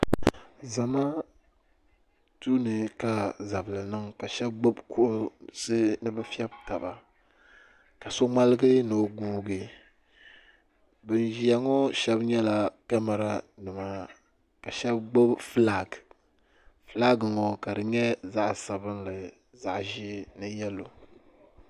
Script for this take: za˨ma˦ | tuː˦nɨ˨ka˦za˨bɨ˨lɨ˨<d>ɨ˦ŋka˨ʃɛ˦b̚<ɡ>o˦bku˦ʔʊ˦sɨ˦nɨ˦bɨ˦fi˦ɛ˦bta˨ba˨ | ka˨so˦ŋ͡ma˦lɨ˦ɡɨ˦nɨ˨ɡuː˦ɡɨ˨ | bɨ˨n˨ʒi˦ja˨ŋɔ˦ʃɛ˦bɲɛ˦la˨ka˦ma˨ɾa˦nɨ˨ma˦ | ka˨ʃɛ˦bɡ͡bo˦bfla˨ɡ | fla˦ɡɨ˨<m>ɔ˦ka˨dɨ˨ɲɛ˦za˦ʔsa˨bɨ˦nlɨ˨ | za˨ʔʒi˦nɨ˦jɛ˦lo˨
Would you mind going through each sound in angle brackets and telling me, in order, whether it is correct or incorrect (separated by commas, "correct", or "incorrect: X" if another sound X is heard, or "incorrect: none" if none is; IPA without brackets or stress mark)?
incorrect: n, incorrect: ɡ͡b, incorrect: ŋ